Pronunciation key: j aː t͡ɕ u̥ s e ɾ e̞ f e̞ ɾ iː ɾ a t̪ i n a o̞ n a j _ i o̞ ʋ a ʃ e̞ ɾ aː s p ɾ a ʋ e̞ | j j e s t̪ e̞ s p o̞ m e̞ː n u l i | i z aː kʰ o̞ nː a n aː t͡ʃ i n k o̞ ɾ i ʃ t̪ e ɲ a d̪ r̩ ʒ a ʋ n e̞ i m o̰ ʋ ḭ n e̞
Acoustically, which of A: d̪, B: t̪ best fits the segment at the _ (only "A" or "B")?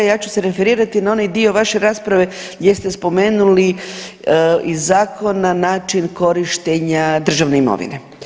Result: A